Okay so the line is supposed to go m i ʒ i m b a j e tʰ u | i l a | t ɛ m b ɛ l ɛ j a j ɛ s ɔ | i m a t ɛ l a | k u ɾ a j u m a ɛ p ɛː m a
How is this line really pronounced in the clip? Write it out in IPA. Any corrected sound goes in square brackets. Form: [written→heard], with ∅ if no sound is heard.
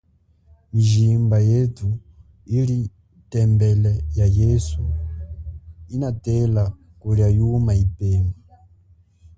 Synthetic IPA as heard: m i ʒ i m b a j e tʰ u | i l [a→i] | t ɛ m b ɛ l ɛ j a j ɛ s [ɔ→u] | i [m→n] a t ɛ l a | k u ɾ a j u m a [ɛ→i] p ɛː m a